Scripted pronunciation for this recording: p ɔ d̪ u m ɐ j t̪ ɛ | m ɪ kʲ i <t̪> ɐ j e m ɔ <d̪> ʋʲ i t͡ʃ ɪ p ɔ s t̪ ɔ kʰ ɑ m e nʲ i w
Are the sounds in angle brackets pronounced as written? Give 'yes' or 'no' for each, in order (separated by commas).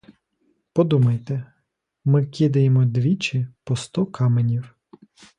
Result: no, yes